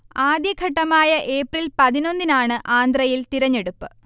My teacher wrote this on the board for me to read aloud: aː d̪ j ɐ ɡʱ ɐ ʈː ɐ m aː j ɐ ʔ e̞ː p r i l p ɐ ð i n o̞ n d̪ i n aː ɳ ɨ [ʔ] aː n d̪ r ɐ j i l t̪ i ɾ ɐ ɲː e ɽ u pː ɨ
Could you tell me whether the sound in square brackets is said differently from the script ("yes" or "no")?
no